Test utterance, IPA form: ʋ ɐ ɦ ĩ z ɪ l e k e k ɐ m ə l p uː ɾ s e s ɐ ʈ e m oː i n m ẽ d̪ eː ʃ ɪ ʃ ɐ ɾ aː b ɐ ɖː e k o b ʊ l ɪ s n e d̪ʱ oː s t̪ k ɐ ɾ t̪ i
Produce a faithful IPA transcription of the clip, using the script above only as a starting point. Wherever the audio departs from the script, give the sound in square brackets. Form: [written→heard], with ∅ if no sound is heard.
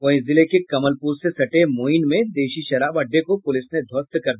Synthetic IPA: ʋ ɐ ɦ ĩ z ɪ l e k e k ɐ m ə l p uː ɾ s e s ɐ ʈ e m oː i n m ẽ d̪ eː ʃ [ɪ→i] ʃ ɐ ɾ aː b ɐ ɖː e k o [b→p] ʊ l ɪ s n e d̪ʱ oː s t̪ k ɐ ɾ [t̪→d̪] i